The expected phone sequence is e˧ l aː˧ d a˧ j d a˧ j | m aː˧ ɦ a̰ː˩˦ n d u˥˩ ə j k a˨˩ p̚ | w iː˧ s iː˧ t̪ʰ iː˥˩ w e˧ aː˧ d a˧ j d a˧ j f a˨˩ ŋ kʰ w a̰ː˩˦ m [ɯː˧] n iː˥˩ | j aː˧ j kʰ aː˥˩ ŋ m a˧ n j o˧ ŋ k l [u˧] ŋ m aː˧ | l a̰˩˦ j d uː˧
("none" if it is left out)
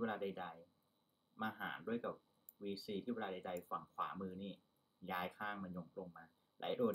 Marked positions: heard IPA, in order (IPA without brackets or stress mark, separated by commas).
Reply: ɯː˧, o˧